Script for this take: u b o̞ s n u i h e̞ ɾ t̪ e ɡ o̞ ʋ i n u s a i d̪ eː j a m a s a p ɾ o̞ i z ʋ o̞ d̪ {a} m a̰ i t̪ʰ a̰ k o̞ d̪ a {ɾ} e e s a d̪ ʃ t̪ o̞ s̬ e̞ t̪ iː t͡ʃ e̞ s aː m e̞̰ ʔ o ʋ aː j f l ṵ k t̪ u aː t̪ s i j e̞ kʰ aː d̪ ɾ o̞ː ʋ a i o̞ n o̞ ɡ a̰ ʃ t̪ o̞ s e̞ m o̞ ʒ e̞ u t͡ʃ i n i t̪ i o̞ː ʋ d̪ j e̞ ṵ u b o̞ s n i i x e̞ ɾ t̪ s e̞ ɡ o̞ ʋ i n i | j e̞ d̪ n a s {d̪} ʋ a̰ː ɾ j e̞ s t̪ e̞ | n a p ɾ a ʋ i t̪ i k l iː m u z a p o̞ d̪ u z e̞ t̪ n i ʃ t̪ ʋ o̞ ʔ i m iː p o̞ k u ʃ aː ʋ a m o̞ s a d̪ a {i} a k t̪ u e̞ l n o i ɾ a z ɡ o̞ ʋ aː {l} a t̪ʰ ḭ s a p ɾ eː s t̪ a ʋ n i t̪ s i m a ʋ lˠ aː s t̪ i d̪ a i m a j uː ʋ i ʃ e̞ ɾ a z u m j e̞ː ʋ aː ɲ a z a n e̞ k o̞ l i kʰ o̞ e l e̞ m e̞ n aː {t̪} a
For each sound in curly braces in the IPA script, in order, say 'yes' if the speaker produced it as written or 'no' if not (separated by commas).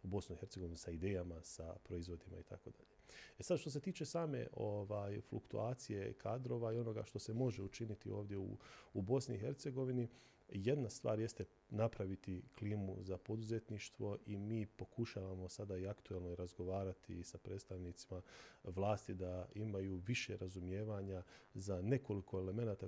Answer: no, no, no, yes, no, yes